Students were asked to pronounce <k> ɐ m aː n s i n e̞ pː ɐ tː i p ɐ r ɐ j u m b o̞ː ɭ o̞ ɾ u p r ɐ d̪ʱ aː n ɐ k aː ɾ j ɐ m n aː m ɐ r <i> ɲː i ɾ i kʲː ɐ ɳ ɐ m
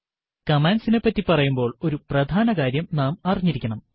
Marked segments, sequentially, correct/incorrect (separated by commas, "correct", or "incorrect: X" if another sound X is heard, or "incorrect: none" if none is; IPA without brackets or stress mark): correct, correct